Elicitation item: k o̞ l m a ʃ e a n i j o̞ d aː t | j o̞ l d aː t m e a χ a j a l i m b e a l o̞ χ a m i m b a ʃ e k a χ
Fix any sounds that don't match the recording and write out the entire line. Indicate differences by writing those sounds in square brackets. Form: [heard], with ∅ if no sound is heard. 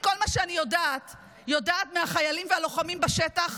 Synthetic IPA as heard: k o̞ l m a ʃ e a n i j o̞ d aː t | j o̞ [∅] d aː t m e a χ a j a l i m [v] e a l o̞ χ a m i m b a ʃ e [t] a χ

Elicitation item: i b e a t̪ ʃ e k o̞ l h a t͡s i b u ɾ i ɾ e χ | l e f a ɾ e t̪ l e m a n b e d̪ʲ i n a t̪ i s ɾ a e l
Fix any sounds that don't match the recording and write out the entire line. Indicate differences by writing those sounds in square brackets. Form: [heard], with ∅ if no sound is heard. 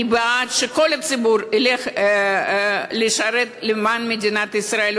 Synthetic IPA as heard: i b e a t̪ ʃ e k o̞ l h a t͡s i b u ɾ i [l] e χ | l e [ʃ] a ɾ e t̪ l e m a n [m] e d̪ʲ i n a t̪ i s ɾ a e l

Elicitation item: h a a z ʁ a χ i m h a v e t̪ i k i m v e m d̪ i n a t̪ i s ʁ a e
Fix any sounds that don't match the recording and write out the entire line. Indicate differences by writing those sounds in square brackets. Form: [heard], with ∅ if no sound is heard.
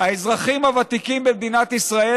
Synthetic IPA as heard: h a [e] z ʁ a χ i m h a v [a] t̪ i k i m [b] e m d̪ i n a t̪ i s ʁ a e

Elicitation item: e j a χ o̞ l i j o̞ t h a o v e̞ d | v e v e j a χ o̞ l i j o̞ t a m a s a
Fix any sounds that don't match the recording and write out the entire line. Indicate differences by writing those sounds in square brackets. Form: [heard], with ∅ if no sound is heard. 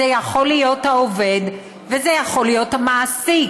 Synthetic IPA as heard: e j a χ o̞ l i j o̞ t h a o v e̞ d | v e [z] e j a χ o̞ l i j o̞ t a m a s [i]

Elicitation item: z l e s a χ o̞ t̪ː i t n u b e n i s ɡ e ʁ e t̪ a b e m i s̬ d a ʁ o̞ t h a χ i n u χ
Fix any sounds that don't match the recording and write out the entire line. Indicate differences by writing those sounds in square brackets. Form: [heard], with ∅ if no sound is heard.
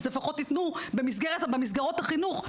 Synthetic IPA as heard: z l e [f] a χ o̞ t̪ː i t n u b e [m] i s ɡ e ʁ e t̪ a b e m i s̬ [ɡ] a ʁ o̞ t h a χ i n u χ

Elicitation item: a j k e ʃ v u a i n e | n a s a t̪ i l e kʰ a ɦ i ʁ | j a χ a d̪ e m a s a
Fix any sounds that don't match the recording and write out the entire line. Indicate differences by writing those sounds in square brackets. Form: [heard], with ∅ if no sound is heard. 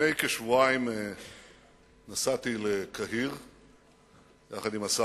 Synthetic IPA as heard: [e] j k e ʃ v u a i [m] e | n a s a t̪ i l e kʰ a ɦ i ʁ | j a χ a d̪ [i] m a s a

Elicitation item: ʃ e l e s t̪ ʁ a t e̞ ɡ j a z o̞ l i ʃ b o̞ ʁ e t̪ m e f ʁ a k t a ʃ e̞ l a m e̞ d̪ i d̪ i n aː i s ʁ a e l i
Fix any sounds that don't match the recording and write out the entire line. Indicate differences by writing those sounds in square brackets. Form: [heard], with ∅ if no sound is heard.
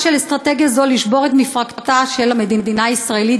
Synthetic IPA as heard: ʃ e l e s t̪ ʁ a t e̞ ɡ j a z o̞ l i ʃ b o̞ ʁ e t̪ m [i] f ʁ a k t a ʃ e̞ l a m e̞ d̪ i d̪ i n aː i s ʁ a e l i

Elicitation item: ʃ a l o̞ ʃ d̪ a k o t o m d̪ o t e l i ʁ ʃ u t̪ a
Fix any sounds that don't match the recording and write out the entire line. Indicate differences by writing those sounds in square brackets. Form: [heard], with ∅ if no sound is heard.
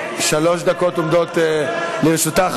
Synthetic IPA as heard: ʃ a l o̞ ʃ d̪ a k o t o m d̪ o t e l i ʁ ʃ u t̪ a

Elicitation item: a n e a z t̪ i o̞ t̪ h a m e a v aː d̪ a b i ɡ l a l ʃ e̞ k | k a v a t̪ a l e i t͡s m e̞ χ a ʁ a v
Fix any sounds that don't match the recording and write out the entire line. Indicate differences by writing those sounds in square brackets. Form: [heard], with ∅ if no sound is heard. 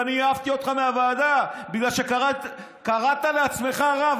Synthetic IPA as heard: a n [i] a [v] t̪ i o̞ t̪ [χ] a m e a v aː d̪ a b i ɡ l a l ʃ e̞ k | k a [ʁ] a t̪ a l e [a] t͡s m e̞ χ a ʁ a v

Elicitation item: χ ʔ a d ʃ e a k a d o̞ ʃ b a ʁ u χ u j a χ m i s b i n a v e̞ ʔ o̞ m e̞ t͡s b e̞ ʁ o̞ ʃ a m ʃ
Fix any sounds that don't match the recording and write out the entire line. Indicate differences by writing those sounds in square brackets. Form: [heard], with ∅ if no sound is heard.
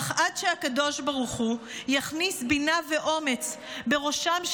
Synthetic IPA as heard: χ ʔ a d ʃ e a k a d o̞ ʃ b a ʁ u χ u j a χ [n] i s b i n a v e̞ ʔ o̞ m e̞ t͡s b e̞ ʁ o̞ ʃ a m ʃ

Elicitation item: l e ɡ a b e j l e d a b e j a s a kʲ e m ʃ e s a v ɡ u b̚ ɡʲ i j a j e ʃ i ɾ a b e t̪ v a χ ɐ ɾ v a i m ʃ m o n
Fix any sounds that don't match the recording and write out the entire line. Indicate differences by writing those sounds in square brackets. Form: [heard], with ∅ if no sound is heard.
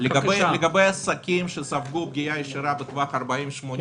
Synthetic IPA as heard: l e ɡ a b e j l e [ɡ] a b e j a s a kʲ [i] m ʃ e s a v ɡ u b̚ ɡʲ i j a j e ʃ i ɾ a b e t̪ v a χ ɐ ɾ [b] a i m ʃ m o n

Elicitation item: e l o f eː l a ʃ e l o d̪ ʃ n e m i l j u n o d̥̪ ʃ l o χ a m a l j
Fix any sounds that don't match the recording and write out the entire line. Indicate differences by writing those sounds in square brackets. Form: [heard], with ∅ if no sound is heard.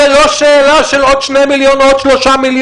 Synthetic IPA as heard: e l o [ʃ] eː l a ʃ e l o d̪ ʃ n e m i l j [o] n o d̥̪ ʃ l o [ʃ] a m [i] l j

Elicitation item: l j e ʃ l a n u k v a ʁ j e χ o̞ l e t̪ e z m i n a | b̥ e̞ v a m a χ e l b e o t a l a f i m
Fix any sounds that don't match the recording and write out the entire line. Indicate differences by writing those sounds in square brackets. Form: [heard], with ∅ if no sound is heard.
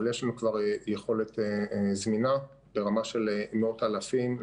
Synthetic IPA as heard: l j e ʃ l a n u k v a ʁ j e χ o̞ l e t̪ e z m i n a | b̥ e̞ [ʁ] a m a [ʃ] e l [m] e o t a l a f i m

